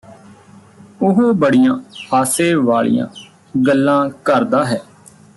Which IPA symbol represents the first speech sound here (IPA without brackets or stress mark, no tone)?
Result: ʊ